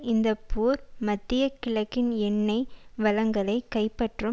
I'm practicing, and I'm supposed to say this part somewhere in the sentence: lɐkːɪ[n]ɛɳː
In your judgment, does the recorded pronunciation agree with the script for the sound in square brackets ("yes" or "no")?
yes